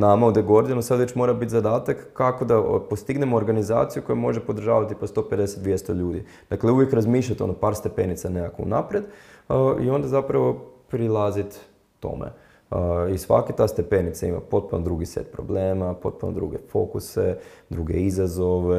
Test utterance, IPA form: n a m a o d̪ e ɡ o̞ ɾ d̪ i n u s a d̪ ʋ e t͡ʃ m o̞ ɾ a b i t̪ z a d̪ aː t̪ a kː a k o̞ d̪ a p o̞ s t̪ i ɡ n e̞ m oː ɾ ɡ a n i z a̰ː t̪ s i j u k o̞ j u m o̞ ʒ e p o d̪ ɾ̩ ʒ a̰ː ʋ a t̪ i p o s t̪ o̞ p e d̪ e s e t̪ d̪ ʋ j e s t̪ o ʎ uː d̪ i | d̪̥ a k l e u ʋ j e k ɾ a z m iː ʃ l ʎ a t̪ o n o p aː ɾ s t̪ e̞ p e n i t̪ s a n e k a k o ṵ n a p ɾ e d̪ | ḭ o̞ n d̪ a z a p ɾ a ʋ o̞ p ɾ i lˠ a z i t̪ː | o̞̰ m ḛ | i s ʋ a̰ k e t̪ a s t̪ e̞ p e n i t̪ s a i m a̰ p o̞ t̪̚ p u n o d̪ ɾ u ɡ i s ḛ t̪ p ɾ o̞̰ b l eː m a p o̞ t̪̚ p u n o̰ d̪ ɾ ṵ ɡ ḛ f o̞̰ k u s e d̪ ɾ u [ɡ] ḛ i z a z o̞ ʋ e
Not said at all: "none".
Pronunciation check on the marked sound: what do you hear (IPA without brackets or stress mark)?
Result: ɡ